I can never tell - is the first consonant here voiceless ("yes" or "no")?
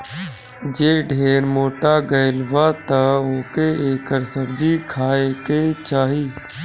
no